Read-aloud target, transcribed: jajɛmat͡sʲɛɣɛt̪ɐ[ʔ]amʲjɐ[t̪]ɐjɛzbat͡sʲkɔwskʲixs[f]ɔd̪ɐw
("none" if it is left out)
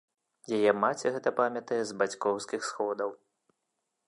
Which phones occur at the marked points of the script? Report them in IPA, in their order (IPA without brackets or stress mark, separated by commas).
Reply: p, t̪, x